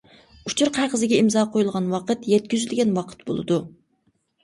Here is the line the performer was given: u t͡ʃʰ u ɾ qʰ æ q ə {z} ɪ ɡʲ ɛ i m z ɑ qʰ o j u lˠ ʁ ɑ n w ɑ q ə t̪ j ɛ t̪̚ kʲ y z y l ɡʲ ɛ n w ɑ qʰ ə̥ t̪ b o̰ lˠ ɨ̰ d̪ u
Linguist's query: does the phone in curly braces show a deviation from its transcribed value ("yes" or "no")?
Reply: no